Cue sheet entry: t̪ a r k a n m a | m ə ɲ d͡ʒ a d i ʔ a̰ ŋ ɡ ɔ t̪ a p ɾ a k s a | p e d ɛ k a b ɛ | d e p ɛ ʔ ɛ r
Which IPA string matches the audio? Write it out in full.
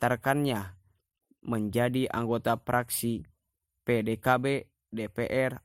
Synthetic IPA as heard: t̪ a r k a n ɲ a | m ə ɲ d͡ʒ a d i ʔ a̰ ŋ ɡ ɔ t̪ a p ɾ a k s i | p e d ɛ k a b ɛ | d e p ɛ ʔ ɛ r